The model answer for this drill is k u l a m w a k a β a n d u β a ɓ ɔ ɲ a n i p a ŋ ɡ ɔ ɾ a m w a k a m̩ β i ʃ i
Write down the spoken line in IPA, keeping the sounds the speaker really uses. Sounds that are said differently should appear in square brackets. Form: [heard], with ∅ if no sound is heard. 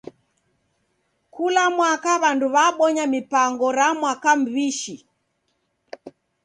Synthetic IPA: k u l a m w a k a β a n d u β a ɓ ɔ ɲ a [m] i p a ŋ ɡ ɔ ɾ a m w a k a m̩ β i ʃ i